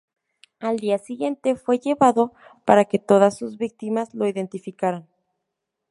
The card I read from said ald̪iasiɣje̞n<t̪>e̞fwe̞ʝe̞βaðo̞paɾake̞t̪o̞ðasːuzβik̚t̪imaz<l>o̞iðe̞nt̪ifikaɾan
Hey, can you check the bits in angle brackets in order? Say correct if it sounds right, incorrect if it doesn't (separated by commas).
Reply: correct, correct